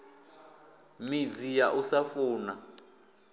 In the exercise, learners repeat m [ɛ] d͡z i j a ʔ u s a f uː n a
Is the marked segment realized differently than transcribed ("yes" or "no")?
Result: yes